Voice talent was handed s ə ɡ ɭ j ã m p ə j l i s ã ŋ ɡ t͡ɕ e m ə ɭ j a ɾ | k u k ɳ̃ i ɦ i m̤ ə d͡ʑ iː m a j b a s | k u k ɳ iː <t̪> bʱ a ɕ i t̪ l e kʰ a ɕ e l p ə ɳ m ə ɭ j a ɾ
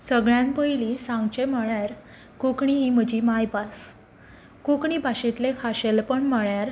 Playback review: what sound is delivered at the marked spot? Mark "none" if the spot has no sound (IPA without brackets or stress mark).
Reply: none